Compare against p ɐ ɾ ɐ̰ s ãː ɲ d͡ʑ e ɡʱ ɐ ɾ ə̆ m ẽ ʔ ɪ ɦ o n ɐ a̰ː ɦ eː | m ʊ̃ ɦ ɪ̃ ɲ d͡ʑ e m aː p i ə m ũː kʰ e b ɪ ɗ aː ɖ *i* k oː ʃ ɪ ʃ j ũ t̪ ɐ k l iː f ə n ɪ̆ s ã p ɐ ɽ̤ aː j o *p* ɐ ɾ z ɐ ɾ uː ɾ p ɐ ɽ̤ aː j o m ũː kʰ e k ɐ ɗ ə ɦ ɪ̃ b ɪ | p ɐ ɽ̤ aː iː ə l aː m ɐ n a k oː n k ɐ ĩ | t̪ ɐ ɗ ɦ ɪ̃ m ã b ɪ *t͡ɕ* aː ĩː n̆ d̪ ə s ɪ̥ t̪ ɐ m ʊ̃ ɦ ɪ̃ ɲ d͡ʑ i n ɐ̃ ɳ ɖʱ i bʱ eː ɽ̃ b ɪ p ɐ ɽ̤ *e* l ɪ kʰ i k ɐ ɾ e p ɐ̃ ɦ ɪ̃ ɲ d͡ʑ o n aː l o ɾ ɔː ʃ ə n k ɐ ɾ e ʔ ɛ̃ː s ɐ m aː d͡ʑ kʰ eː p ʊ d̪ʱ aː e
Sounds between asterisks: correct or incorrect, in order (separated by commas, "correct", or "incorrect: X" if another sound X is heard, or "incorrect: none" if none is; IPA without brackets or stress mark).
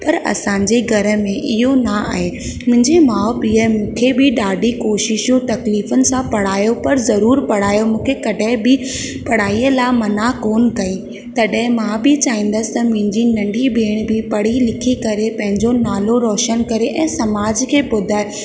correct, correct, correct, incorrect: i